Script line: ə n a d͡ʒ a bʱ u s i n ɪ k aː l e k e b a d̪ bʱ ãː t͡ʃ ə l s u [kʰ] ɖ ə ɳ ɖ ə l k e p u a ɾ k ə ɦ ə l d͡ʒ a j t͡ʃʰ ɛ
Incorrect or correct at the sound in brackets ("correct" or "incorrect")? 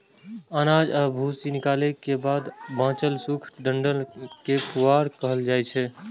correct